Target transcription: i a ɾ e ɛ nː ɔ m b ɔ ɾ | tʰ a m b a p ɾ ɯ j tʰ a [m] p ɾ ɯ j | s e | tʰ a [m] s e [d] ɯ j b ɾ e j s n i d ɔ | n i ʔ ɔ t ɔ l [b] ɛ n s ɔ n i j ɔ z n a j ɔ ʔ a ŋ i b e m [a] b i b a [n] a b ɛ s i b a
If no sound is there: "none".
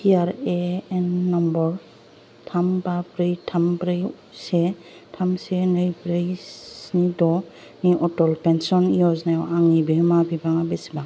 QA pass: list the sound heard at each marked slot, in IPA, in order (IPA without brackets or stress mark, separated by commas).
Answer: m, m, n, p, a, ŋ